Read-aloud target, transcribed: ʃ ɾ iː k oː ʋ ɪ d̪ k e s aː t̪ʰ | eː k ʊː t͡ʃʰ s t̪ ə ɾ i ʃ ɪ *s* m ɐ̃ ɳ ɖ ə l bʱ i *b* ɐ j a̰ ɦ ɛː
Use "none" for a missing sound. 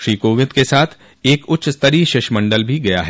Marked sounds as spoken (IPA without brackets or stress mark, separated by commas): ʃ, ɡ